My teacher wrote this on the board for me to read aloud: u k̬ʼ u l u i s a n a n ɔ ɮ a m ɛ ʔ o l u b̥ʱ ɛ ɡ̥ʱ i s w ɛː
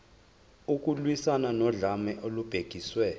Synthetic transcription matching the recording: u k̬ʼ u l w i s a n a n ɔ ɮ a m ɛ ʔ o l u b̥ʱ e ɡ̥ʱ i s w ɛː